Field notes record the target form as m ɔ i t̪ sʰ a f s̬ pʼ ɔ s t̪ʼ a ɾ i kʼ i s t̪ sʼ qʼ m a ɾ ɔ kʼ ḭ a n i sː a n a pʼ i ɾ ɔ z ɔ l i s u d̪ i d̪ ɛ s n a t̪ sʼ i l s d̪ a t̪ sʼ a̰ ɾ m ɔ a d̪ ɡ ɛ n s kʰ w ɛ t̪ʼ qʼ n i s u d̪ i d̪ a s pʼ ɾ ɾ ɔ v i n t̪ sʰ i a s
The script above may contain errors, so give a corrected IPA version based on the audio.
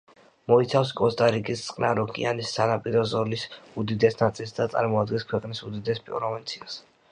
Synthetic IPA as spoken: m ɔ i t̪ sʰ a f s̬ kʼ ɔ s t̪ʼ a ɾ i kʼ i s t̪ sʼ qʼ n a ɾ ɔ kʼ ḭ a n i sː a n a pʼ i ɾ ɔ z ɔ l i s u d̪ i d̪ ɛ s n a t̪ sʼ i l s d̪ a t̪ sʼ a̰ ɾ m ɔ a d̪ ɡ ɛ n s kʰ w ɛ qʼ n i s u d̪ i d̪ ɛ s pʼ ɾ ɾ ɔ v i n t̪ sʰ i a s